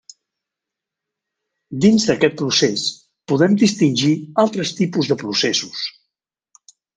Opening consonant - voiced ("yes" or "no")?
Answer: yes